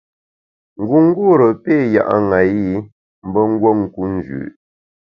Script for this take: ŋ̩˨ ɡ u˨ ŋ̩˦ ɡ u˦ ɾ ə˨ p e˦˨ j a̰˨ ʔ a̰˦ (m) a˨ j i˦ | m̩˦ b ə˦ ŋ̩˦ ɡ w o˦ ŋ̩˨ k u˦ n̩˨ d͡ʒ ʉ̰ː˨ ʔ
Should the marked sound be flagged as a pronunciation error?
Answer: yes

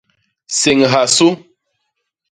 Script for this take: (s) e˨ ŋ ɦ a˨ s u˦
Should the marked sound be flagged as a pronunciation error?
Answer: no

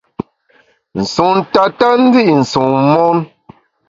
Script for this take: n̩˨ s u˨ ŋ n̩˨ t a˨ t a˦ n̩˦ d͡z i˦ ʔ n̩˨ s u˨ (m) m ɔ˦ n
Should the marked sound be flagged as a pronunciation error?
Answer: yes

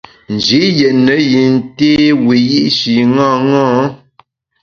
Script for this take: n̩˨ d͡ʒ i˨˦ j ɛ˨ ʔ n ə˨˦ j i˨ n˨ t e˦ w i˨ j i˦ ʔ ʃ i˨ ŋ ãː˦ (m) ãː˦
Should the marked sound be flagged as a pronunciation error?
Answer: yes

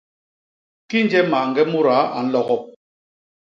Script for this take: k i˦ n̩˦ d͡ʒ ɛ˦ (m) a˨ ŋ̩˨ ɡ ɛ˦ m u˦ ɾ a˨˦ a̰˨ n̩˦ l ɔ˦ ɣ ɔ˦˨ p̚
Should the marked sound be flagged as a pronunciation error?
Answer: no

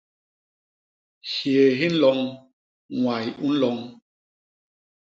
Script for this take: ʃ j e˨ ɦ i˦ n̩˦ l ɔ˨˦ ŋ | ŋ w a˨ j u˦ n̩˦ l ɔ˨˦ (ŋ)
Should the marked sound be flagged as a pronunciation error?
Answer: no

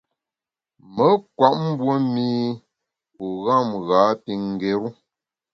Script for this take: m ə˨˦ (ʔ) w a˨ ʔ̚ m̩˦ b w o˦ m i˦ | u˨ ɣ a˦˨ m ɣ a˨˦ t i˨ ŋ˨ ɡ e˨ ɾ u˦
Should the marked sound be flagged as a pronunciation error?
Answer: yes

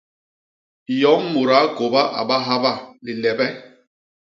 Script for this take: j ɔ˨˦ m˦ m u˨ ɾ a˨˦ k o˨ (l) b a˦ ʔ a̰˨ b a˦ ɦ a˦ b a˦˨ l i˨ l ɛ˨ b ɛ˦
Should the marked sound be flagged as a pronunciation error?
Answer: yes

